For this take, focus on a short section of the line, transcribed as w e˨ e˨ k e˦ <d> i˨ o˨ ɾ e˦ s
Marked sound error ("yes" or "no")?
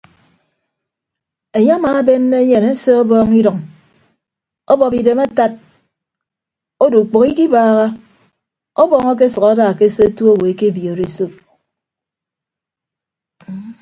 yes